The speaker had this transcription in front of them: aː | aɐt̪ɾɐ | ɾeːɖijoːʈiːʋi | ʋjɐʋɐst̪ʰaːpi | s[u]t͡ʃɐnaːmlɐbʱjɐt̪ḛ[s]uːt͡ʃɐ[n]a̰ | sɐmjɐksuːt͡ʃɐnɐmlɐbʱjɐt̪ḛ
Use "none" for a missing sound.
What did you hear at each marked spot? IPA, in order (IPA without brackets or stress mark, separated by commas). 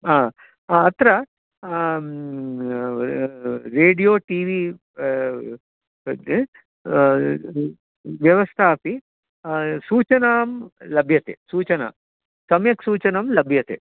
uː, s, n